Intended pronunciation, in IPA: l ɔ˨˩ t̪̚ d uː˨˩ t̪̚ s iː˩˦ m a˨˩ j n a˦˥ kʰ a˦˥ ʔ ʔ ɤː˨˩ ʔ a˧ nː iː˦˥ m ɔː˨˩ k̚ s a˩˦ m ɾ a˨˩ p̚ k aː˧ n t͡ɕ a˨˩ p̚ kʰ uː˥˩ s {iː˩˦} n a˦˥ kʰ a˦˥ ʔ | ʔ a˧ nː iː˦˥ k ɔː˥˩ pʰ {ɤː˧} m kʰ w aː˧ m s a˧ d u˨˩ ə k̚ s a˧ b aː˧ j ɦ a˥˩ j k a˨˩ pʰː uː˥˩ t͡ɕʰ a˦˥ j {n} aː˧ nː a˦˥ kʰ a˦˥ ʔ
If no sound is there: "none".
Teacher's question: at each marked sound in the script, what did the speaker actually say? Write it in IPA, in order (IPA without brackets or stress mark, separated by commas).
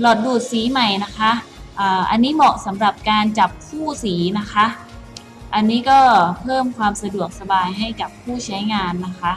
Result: iː˩˦, ɤː˥˩, ŋ